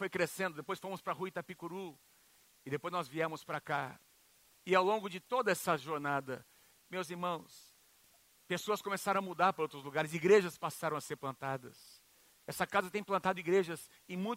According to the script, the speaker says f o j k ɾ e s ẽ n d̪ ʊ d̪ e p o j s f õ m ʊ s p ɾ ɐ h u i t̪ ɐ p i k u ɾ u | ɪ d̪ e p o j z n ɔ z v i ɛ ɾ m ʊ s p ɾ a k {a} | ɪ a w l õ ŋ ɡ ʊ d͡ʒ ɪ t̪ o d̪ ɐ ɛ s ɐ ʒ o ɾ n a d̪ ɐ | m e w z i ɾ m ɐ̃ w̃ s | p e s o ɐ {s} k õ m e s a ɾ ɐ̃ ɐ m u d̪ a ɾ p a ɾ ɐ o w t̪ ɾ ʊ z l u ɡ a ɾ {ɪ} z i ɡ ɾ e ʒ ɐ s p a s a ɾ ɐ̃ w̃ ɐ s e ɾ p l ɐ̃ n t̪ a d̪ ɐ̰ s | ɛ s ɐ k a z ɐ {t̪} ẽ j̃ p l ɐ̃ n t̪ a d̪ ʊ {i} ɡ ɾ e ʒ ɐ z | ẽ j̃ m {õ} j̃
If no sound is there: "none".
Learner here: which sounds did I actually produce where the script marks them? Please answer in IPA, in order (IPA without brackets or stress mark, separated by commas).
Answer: a, s, ɪ, t̪, i, ũ